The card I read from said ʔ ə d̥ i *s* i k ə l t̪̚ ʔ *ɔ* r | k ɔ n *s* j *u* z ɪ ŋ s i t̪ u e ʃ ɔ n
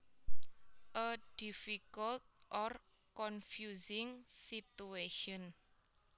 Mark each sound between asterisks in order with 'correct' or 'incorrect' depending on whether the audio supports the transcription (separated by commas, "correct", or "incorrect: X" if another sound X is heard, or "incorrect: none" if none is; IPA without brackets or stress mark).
incorrect: f, correct, incorrect: f, correct